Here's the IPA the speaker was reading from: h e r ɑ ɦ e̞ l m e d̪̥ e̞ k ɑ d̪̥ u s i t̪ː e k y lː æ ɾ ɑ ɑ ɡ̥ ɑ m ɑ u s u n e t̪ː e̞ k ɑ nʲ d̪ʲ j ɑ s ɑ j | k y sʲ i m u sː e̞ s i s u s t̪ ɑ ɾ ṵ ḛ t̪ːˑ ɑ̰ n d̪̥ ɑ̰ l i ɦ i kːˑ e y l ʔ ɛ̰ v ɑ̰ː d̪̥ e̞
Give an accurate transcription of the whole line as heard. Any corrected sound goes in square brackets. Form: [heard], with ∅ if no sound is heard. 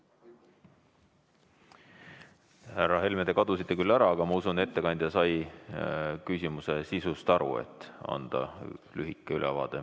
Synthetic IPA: h [æ] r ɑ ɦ e̞ l m e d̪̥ e̞ k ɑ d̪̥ u s i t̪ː e k y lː æ ɾ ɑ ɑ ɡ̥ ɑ m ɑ u s u n e t̪ː e̞ k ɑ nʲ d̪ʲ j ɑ s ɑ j | k y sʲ i m u [s] e̞ s i s u s t̪ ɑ ɾ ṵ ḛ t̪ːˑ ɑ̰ n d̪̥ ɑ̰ l [y] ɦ i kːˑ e y l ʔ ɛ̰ v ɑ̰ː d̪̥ e̞